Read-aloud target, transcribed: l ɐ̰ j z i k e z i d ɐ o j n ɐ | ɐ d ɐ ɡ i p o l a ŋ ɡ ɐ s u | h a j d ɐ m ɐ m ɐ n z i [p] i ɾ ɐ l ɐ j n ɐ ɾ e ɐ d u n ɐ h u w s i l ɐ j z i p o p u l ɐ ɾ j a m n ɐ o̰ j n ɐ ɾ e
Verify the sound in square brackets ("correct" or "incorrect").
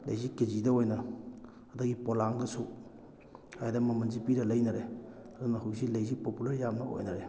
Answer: correct